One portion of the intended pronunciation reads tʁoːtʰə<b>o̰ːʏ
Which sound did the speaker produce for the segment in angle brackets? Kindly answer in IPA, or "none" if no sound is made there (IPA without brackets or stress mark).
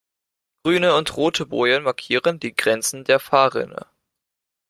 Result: b